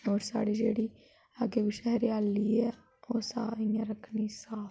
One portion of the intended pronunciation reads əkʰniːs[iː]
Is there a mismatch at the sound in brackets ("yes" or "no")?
yes